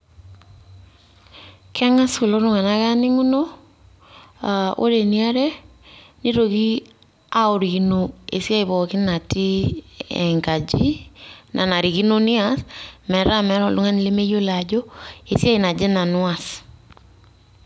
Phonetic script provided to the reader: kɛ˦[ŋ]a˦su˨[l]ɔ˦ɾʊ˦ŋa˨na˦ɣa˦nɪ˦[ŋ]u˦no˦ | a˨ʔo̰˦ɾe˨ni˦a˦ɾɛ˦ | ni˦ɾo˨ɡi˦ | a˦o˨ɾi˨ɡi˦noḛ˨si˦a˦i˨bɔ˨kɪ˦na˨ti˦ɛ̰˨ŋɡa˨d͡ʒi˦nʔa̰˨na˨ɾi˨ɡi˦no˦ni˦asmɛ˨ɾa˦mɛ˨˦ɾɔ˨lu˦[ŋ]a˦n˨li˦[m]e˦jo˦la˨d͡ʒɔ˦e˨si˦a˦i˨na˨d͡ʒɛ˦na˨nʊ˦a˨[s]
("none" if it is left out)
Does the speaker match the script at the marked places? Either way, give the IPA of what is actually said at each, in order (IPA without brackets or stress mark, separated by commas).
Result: ŋ, l, ŋ, ŋ, m, s